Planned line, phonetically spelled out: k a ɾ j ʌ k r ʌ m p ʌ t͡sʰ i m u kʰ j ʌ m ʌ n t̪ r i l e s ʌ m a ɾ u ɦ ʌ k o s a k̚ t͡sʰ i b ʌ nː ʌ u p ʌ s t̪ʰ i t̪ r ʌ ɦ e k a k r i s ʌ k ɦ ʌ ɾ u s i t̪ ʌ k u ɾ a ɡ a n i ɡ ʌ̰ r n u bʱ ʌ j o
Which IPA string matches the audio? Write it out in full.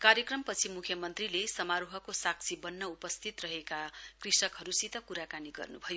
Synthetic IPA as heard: k a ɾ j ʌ k r ʌ m p ʌ t͡sʰ i m u kʰ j ʌ m ʌ n t̪ r i l e s ʌ m a ɾ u ɦ ʌ k o s a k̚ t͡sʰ i b ʌ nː ʌ u p ʌ s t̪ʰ i t̪ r ʌ ɦ e k a k r i s ʌ k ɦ ʌ ɾ u s i t̪ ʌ k u ɾ a k a n i ɡ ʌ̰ r n u bʱ ʌ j o